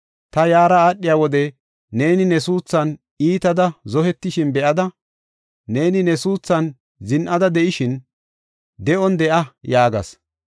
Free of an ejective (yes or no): yes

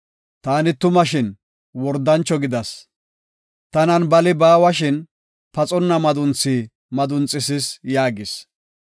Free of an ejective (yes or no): no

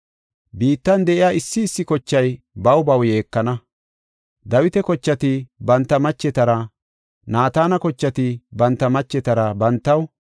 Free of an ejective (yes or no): yes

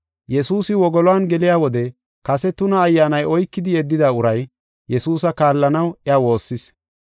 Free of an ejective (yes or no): yes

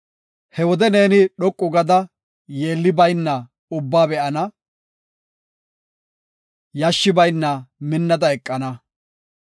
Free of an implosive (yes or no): no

